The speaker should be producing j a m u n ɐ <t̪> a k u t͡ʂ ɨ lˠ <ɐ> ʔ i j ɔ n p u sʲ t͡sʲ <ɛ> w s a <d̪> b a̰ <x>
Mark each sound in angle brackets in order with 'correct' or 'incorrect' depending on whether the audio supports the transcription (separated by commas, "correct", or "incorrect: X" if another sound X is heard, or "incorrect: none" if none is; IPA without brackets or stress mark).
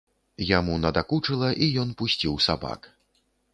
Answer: incorrect: d̪, correct, incorrect: i, incorrect: none, incorrect: k